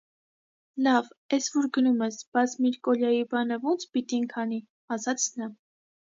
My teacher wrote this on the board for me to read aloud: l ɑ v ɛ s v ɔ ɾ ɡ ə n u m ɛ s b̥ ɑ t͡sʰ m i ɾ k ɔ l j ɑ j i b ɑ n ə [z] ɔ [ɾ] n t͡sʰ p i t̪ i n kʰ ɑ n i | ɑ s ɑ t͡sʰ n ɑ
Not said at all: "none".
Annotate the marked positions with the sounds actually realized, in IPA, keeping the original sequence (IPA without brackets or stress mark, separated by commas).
v, none